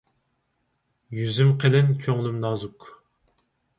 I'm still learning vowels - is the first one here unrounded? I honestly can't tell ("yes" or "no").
no